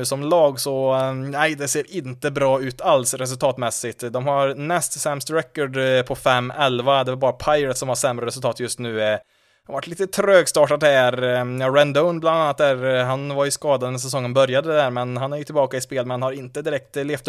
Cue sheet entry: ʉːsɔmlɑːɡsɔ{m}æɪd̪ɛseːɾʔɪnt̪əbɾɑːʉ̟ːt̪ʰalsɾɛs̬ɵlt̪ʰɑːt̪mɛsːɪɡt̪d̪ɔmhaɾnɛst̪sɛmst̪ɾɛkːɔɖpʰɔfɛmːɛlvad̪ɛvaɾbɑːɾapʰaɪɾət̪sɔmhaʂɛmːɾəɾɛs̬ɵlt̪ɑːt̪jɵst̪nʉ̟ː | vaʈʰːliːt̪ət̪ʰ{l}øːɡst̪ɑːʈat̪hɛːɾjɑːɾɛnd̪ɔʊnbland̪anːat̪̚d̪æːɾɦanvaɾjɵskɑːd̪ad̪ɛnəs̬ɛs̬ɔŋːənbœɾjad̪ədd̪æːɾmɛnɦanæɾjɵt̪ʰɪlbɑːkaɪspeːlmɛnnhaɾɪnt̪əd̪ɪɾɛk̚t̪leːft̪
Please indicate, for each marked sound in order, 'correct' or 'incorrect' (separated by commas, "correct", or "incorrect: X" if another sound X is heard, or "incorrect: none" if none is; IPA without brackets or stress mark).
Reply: incorrect: n, incorrect: ɾ